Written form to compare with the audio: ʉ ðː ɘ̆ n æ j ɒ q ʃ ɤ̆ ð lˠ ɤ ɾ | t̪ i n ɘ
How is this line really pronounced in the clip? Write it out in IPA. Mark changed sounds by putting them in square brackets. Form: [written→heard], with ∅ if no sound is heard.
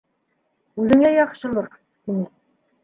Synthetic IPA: ʉ [ðː→ð] ɘ̆ [n→ŋ] æ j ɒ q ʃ ɤ̆ [ð→∅] lˠ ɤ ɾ | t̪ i n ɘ